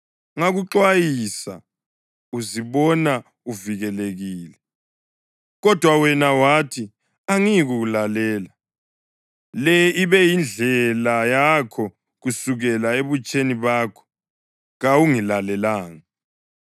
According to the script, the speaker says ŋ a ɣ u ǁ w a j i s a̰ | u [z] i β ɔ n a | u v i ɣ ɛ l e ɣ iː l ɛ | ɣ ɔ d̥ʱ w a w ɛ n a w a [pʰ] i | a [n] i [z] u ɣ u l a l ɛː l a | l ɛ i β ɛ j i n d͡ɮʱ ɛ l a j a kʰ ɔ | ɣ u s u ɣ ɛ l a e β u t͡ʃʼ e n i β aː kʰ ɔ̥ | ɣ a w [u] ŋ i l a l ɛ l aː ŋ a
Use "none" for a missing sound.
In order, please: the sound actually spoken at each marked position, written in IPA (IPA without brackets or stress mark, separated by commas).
z, tʰ, ŋ, ɣ, u